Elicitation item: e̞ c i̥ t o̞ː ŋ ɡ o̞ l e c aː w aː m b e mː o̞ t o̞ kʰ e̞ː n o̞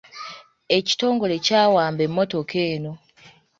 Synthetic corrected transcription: e̞ c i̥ t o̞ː ŋ ɡ o̞ l e c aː w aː m b e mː o̞ t o̞ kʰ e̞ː n o̞